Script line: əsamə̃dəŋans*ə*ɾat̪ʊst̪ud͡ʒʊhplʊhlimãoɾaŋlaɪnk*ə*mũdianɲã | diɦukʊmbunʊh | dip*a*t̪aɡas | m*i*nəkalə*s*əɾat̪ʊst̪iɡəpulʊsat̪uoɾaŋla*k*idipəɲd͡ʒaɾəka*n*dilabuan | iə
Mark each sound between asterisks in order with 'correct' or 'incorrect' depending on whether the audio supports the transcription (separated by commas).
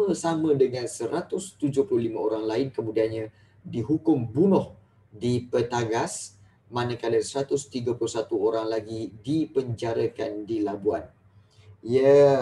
correct, correct, incorrect, incorrect, correct, incorrect, correct